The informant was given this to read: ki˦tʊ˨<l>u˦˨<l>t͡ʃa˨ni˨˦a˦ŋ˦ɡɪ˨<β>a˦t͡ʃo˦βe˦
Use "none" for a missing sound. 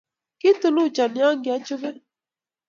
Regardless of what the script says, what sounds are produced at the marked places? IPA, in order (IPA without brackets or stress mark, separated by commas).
l, none, none